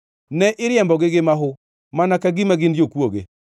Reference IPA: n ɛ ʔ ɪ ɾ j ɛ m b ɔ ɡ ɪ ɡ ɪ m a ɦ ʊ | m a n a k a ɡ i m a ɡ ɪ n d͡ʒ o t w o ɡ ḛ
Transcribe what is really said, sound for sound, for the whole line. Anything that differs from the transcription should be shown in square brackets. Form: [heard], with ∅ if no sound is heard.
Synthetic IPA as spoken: n ɛ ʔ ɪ ɾ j ɛ m b ɔ ɡ ɪ ɡ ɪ m a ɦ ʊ | m a n a k a ɡ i m a ɡ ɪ n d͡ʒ o [k] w o ɡ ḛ

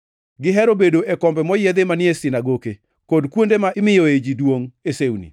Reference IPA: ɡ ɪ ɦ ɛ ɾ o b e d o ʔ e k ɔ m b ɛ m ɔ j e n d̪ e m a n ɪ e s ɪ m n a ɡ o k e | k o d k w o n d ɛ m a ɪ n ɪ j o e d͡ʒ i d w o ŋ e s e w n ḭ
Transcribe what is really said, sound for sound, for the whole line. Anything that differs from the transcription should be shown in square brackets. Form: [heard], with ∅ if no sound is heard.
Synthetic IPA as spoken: ɡ ɪ ɦ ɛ ɾ o b e d o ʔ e k ɔ m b ɛ m ɔ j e [∅] d̪ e m a n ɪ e s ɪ [∅] n a ɡ o k e | k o d k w o n d [e] m a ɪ [m] ɪ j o e d͡ʒ i d w o ŋ e s e w n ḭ

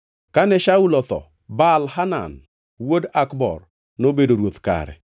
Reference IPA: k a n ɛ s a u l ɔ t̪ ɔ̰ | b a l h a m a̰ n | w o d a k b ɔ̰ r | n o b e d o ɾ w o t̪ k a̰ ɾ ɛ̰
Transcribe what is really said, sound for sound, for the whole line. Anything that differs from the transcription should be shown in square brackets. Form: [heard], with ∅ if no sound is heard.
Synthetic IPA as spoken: k a n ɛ [ʃ] a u l ɔ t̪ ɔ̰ | b a l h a [n] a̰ n | w o d a k b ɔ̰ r | n o b e d o ɾ w o t̪ k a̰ ɾ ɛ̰

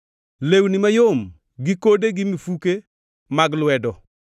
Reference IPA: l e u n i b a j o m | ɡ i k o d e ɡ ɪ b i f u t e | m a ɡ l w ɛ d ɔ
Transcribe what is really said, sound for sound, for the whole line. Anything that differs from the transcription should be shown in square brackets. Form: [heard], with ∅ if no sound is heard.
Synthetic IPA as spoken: l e [w] n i [m] a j o m | ɡ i k o d e ɡ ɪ [m] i f u [k] e | m a ɡ l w ɛ d ɔ

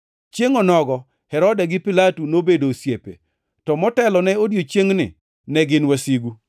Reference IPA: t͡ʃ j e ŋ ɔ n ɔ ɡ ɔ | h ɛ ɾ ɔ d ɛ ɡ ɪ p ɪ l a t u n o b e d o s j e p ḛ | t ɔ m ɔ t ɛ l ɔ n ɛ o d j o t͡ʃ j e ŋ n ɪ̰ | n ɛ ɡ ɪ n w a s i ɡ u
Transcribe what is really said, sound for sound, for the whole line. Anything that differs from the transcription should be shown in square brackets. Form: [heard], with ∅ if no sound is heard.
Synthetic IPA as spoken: t͡ʃ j e ŋ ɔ n ɔ ɡ ɔ | h ɛ ɾ ɔ d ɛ ɡ ɪ p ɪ l a t u n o b e d o s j e p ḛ | t ɔ m ɔ t ɛ l ɔ n ɛ o d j o t͡ʃ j e ŋ n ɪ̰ | n ɛ ɡ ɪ n w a s i ɡ u

